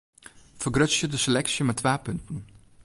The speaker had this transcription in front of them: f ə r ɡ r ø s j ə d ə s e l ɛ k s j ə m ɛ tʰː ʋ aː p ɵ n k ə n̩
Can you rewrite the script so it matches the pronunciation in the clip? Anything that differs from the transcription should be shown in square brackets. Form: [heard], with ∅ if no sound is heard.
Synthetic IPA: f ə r ɡ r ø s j ə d ə s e l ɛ k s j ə m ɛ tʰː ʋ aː p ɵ n [t] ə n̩